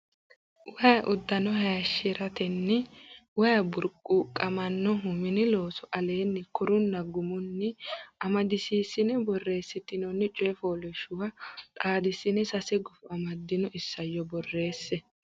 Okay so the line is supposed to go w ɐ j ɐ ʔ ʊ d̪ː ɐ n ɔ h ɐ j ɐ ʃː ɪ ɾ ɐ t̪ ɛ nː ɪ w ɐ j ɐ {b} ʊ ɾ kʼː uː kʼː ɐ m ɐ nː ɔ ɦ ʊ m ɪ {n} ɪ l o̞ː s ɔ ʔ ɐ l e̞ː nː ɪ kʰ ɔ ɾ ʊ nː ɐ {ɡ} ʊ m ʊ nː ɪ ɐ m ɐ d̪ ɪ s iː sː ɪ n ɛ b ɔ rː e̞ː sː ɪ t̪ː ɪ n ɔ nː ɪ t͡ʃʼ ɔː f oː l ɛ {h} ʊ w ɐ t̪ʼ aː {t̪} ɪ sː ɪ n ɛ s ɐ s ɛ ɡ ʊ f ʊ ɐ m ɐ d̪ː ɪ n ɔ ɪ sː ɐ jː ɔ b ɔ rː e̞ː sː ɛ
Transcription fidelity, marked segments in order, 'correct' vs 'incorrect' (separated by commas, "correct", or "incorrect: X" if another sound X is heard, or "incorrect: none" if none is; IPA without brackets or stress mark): correct, correct, correct, incorrect: ʃ, incorrect: d̪